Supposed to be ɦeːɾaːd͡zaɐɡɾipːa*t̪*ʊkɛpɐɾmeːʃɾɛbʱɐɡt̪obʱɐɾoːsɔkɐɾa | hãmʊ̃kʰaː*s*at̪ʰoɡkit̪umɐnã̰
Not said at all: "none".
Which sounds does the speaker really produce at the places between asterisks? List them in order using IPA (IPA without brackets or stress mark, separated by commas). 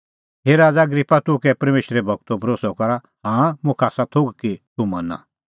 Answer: t̪, s